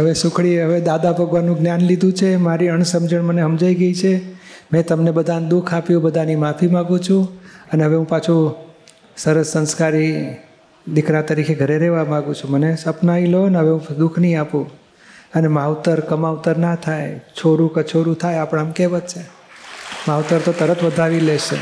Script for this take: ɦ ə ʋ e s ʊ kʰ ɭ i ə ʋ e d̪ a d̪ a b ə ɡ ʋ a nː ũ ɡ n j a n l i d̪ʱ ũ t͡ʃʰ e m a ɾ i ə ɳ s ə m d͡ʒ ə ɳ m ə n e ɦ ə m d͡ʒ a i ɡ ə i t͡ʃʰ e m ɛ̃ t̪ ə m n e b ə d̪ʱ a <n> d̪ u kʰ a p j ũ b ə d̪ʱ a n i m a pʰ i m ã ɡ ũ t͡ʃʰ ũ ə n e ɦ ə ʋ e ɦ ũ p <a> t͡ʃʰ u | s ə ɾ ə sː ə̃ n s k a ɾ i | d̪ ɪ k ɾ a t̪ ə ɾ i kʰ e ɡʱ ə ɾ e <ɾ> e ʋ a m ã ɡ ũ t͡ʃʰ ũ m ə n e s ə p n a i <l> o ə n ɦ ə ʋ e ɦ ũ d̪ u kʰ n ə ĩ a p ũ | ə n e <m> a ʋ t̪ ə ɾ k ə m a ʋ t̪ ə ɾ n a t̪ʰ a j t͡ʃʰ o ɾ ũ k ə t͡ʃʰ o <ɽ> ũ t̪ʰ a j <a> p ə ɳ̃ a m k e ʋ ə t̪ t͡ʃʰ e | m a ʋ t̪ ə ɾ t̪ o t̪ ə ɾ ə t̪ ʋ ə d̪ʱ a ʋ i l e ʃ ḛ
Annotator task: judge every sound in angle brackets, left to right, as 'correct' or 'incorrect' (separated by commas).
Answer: correct, correct, correct, correct, correct, incorrect, correct